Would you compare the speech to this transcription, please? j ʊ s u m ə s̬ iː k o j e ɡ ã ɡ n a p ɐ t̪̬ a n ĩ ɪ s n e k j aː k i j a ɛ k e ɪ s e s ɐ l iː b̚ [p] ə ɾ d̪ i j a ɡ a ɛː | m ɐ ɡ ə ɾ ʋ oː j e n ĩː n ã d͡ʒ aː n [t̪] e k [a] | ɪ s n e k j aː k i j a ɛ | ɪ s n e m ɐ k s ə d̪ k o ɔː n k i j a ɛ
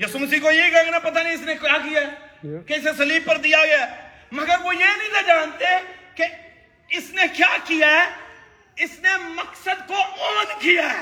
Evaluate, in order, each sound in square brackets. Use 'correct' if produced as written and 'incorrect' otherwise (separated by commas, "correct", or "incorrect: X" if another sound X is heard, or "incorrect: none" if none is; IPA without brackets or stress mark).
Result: correct, correct, incorrect: e